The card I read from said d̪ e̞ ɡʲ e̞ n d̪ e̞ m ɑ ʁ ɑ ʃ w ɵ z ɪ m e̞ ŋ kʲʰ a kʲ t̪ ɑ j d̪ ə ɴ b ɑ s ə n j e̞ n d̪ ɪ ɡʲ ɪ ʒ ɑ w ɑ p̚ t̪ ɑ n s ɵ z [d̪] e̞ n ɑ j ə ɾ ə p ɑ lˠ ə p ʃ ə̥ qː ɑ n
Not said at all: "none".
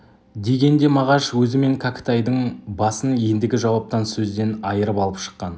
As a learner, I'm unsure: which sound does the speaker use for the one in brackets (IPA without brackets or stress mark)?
d̪